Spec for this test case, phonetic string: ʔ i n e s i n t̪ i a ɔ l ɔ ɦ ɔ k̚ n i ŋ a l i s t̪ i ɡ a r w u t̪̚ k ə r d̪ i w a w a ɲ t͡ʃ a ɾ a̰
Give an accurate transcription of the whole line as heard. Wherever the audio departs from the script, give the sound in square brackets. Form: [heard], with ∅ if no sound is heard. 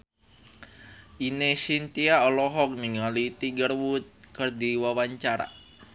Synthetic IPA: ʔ i n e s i n t̪ i a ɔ l ɔ ɦ ɔ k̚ n i ŋ a l i [∅] t̪ i ɡ [ə] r w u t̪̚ k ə r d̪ i w a w a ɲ t͡ʃ a ɾ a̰